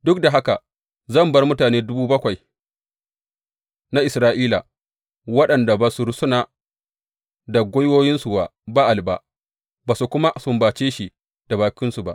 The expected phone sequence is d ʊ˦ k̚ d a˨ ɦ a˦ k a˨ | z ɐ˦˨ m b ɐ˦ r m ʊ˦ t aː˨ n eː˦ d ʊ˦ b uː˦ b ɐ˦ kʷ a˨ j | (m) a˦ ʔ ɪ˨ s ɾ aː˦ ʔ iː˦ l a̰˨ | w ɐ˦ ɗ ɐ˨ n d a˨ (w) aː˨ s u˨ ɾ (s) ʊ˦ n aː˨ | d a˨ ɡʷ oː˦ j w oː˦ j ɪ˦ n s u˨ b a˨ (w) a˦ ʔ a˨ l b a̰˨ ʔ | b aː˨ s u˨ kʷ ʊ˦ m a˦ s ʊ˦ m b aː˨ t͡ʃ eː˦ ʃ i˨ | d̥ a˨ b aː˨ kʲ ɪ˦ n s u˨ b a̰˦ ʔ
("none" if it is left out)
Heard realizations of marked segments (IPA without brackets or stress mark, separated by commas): n, b, s, b